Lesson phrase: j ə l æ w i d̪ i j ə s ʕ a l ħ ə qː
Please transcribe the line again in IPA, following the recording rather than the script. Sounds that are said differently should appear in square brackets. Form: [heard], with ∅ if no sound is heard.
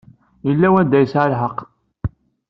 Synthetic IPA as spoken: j ə [lː] æ w [æ] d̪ [æ] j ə s ʕ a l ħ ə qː